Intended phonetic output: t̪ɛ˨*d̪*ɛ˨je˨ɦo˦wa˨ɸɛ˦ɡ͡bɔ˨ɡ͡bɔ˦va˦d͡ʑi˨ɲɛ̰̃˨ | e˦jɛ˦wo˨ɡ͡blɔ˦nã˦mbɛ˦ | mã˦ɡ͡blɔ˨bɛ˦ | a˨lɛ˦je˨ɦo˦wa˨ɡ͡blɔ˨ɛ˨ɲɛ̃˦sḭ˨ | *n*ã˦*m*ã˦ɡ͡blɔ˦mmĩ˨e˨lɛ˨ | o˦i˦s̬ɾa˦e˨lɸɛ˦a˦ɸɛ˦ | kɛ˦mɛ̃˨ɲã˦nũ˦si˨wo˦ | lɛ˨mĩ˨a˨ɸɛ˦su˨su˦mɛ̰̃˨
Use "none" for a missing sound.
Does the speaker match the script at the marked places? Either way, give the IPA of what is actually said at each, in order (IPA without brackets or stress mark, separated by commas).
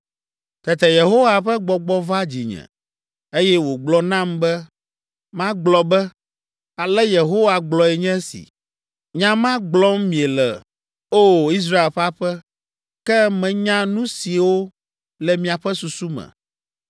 t̪, ɲ, m